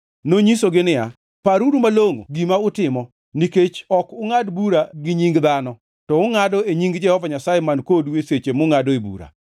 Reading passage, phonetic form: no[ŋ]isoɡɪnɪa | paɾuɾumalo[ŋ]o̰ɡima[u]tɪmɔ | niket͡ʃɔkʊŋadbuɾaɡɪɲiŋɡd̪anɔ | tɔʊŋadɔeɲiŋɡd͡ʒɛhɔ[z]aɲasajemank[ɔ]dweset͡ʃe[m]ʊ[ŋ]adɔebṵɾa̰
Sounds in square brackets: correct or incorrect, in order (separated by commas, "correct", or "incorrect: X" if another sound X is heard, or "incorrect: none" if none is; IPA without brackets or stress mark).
incorrect: ɲ, correct, incorrect: ʊ, incorrect: v, incorrect: o, correct, correct